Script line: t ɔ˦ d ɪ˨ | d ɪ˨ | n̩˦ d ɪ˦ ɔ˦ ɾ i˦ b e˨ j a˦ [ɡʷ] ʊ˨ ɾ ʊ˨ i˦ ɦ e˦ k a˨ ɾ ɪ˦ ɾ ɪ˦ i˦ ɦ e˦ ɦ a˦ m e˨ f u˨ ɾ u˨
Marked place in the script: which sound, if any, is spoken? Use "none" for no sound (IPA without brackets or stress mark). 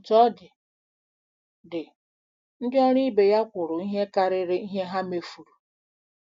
kʷ